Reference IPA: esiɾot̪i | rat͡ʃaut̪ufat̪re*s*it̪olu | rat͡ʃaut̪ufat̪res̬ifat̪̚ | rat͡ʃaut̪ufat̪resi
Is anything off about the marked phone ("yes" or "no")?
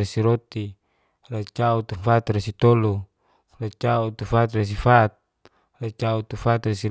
no